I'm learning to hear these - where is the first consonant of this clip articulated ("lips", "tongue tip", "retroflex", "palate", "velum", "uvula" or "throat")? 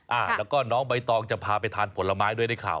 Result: throat